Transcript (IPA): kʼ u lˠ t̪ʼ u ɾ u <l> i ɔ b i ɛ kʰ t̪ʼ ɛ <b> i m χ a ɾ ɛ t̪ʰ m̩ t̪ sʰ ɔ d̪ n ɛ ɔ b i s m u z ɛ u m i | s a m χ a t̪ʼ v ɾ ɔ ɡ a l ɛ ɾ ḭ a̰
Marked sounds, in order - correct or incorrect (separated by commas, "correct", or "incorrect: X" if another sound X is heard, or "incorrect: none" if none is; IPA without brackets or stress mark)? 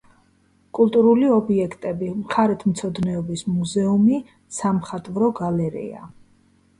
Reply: correct, correct